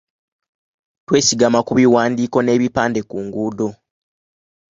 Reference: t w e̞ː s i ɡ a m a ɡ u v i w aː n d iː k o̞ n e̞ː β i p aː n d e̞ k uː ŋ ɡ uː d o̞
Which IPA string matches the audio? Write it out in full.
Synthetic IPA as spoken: t w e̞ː s i ɡ a m a k u β i w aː n d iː k o̞ n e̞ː β i p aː n d e̞ k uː ŋ ɡ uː d o̞